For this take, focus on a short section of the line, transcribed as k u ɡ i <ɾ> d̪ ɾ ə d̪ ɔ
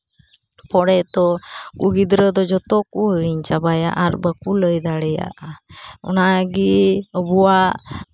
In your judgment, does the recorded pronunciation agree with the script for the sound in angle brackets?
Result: no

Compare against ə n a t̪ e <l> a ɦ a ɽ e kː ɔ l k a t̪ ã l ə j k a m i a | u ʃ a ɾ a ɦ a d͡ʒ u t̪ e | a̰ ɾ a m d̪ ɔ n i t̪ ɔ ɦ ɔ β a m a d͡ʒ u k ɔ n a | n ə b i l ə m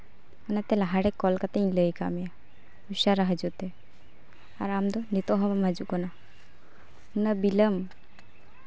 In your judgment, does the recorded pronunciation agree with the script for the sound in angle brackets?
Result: yes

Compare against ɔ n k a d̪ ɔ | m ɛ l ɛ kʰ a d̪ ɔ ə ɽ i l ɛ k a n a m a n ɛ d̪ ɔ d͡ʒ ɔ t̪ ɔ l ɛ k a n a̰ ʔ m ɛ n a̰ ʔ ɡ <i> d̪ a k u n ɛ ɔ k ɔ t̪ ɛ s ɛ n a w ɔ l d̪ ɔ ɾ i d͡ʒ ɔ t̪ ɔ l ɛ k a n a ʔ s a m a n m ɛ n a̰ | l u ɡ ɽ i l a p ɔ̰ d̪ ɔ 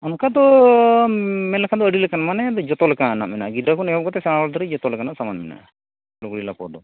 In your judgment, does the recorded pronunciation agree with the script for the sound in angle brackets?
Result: yes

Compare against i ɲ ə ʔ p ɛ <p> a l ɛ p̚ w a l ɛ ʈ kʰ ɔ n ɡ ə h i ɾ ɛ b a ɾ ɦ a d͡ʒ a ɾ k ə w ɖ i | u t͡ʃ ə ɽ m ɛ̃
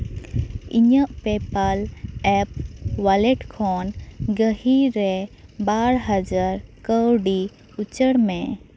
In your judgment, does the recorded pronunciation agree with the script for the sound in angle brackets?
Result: yes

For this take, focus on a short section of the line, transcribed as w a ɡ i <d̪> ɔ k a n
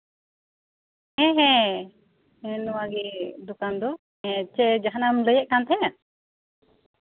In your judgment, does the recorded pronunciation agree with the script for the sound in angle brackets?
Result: yes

